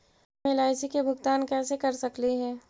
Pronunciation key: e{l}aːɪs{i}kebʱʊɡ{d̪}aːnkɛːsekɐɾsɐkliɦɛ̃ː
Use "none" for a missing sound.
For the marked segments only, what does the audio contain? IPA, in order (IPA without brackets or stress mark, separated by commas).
l, i, t̪